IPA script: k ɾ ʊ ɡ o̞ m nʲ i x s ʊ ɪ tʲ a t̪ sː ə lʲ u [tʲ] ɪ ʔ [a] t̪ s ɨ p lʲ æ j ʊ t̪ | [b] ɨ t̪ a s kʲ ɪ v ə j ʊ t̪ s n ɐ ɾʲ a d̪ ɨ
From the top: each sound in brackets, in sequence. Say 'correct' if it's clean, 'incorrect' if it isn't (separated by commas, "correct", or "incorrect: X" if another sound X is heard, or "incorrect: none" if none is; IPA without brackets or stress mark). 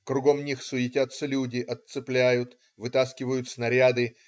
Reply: incorrect: dʲ, incorrect: ɐ, incorrect: v